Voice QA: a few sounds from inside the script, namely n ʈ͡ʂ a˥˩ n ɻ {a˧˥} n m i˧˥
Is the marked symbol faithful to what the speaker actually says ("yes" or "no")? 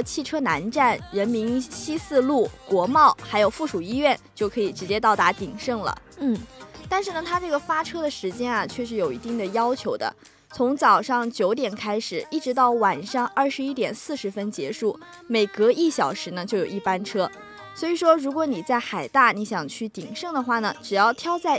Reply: no